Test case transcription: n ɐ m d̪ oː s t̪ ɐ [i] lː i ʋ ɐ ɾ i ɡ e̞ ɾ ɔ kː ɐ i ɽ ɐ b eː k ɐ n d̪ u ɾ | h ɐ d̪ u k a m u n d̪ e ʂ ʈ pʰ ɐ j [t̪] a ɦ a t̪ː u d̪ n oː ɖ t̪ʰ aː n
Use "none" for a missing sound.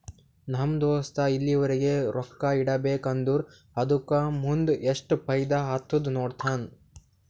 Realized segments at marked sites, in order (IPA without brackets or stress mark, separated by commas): i, d̪